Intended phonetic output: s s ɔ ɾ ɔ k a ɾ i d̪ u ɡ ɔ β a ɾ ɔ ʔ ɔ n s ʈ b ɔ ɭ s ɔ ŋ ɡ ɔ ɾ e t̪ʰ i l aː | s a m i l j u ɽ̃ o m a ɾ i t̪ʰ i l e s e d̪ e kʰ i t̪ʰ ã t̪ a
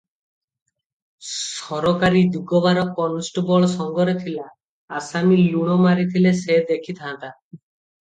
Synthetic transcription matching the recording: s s ɔ ɾ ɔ k a ɾ i d̪ u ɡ ɔ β a ɾ ɔ k ɔ n s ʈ b ɔ ɭ s ɔ ŋ ɡ ɔ ɾ e t̪ʰ i l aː | s a m i l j u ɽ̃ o m a ɾ i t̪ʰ i l e s e d̪ e kʰ i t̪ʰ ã t̪ a